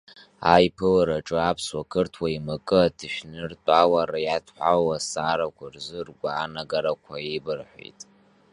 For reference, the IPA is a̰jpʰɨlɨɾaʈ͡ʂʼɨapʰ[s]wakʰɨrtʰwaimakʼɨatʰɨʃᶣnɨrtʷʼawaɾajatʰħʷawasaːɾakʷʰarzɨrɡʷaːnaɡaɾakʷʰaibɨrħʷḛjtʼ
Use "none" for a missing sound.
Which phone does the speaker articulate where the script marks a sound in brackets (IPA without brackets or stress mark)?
s